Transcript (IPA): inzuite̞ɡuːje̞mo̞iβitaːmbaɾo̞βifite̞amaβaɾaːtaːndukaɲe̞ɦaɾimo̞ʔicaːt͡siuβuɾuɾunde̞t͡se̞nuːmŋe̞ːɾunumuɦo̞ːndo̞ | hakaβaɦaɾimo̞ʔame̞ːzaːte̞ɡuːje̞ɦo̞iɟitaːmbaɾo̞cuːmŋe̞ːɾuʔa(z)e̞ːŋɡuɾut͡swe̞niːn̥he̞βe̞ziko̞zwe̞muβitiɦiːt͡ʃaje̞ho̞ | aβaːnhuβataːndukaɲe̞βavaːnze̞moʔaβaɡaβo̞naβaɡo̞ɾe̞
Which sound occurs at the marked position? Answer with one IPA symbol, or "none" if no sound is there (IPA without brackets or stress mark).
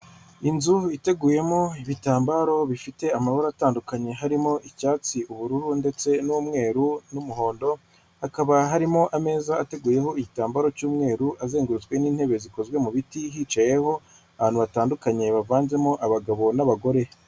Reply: z